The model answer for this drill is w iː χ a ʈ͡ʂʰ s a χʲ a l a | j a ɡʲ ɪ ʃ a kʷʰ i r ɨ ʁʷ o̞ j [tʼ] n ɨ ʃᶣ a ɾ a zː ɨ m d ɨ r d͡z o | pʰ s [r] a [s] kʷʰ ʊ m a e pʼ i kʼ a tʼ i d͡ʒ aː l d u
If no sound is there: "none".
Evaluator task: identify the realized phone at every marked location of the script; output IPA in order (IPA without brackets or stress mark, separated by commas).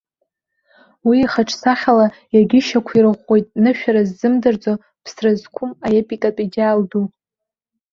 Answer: tʼ, r, z